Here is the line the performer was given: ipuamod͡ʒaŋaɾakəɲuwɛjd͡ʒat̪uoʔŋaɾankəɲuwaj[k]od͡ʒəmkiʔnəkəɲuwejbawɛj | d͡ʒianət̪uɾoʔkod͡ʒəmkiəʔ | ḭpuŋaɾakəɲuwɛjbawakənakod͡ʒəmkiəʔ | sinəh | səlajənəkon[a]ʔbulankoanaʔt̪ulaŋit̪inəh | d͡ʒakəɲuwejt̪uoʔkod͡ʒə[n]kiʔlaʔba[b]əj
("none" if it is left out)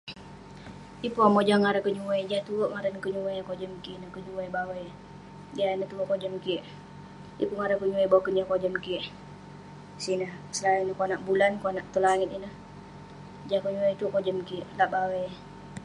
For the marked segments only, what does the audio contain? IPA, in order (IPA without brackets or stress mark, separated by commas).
k, a, m, w